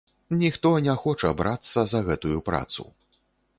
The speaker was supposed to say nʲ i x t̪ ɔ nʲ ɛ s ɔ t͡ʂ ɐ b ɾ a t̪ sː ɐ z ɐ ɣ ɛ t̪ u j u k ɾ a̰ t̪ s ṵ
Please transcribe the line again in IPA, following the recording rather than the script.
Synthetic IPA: nʲ i x t̪ ɔ nʲ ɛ x ɔ t͡ʂ ɐ b ɾ a t̪ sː ɐ z ɐ ɣ ɛ t̪ u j u p ɾ a̰ t̪ s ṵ